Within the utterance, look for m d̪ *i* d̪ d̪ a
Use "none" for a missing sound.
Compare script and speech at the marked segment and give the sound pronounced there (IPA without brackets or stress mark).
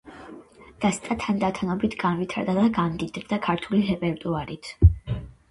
i